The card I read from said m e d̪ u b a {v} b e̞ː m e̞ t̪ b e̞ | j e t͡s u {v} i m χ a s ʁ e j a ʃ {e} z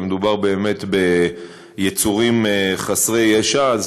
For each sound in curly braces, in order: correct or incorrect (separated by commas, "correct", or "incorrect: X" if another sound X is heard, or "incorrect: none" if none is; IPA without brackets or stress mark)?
incorrect: ʁ, incorrect: ʁ, incorrect: a